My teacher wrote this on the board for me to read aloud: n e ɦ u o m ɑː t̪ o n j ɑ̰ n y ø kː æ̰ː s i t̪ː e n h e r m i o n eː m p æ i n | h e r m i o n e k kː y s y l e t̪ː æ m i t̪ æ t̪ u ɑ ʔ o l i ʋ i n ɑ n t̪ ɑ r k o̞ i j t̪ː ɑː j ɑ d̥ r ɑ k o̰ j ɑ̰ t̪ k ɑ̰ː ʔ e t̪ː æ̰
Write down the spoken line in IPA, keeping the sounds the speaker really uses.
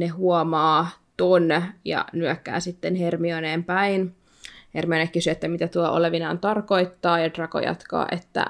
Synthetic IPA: n e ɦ u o m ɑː t̪ o n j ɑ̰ n y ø kː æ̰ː s i t̪ː e n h e r m i o n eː m p æ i n | h e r m i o n e k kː y s y e t̪ː æ m i t̪ æ t̪ u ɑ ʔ o l e ʋ i n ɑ n t̪ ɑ r k o̞ i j t̪ː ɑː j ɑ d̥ r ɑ k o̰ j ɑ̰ t̪ k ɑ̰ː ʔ e t̪ː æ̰